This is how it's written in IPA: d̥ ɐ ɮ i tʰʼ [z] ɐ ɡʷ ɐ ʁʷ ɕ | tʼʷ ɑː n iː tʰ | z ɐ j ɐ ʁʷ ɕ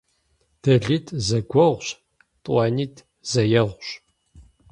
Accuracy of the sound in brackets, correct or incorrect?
correct